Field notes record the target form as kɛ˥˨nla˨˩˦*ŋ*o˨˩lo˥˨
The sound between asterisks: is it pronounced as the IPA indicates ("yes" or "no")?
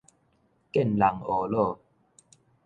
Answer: yes